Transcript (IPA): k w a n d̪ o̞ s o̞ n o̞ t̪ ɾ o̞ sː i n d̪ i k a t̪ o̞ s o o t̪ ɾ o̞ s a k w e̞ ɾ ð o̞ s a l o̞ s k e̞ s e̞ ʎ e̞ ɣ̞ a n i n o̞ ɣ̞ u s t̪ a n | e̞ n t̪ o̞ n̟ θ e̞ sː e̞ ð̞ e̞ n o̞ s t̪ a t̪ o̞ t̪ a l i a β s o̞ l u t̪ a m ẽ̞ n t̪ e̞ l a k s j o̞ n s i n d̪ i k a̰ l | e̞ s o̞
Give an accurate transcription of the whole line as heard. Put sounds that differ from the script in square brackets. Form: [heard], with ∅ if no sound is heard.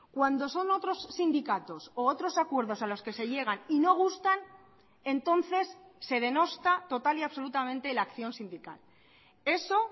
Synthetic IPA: k w a n d̪ o̞ s o̞ n o̞ t̪ ɾ o̞ sː i n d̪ i k a t̪ o̞ s o o t̪ ɾ o̞ s a k w e̞ ɾ ð o̞ s a l o̞ s k e̞ s e̞ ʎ e̞ ɣ̞ a n i n o̞ ɣ̞ u s t̪ a n | e̞ n t̪ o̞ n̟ θ e̞ sː e̞ ð̞ e̞ n o̞ s t̪ a t̪ o̞ t̪ a l i a β s o̞ l u t̪ a m ẽ̞ n t̪ e̞ l a k [θ] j o̞ n s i n d̪ i k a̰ l | e̞ s o̞